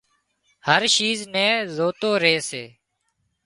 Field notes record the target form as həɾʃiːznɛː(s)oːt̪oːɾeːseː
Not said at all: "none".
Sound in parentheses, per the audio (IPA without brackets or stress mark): z